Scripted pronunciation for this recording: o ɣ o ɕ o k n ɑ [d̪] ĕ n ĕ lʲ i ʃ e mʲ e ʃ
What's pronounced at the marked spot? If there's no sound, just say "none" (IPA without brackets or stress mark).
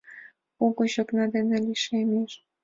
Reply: d̪